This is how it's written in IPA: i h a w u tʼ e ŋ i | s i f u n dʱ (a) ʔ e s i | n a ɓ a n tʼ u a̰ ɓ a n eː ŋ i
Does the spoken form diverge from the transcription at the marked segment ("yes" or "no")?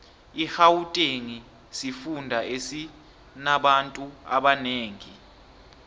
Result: no